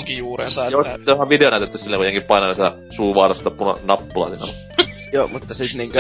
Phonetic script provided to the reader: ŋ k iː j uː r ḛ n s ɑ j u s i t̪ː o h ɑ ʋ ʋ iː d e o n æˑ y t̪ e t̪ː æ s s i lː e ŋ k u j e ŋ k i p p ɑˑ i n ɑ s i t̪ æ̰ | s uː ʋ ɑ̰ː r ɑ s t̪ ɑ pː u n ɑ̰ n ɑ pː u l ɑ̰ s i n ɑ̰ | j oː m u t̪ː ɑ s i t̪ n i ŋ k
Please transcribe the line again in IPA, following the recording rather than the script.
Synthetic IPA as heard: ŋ k i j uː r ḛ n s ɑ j o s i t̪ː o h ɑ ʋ ʋ i d e o n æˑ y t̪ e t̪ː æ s s i lː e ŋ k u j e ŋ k i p p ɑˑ i n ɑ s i t̪ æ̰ | s uː ʋ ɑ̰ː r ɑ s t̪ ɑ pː u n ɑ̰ n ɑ pː u l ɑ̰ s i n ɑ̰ | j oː m u t̪ː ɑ s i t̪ n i ŋ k